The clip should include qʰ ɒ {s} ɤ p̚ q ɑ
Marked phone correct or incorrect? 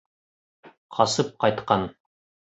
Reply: correct